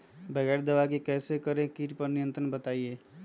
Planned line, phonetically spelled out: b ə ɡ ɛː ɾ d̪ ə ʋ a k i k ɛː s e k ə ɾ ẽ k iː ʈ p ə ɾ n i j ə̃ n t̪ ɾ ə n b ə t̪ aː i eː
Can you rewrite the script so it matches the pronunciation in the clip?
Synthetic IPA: b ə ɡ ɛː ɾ d̪ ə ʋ a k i k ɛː s e k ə ɾ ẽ k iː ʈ p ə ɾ n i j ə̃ n t̪ ɾ ə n b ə t̪ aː i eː